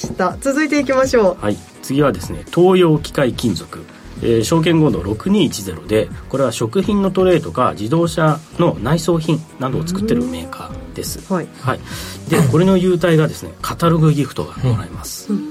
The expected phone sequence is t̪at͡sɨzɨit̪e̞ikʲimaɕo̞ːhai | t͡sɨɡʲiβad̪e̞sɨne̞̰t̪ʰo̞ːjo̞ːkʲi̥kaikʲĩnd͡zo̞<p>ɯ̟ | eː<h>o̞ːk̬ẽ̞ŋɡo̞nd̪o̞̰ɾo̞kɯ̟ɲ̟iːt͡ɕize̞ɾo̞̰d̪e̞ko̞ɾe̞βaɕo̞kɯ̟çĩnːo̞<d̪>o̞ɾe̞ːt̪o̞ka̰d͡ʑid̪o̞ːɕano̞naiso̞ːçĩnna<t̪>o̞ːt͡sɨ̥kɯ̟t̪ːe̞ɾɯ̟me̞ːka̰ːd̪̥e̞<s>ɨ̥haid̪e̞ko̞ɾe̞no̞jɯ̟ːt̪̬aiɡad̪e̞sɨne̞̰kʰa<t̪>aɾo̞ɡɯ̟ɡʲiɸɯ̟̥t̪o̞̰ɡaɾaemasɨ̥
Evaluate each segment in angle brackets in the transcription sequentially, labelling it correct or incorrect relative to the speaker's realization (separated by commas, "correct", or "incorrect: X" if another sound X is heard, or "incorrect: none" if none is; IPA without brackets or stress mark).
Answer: incorrect: k, incorrect: ɕ, incorrect: t̪, incorrect: d̪, correct, correct